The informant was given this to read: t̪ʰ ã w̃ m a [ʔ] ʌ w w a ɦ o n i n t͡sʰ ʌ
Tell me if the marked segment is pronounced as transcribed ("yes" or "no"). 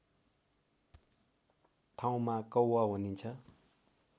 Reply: no